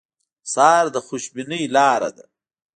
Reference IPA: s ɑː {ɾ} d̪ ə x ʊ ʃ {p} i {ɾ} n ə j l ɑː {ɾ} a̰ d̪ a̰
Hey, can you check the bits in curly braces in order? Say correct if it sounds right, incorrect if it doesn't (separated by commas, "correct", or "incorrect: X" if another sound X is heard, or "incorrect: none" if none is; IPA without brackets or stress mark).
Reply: correct, incorrect: b, incorrect: none, correct